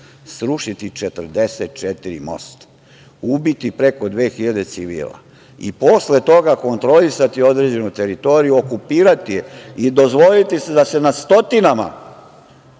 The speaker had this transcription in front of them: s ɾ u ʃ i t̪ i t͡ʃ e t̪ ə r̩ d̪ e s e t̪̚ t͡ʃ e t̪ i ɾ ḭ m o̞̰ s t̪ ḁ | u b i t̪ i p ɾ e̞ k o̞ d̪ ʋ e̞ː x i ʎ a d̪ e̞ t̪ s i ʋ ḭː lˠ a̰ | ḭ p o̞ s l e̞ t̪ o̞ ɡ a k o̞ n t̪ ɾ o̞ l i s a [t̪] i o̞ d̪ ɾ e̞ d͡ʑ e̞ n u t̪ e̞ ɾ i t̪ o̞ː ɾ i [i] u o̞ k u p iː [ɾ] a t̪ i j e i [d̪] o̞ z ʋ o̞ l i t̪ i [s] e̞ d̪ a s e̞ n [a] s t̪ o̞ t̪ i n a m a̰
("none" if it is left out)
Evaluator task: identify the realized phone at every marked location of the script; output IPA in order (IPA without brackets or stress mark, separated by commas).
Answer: t̪, j, ɾ, d̪, s, a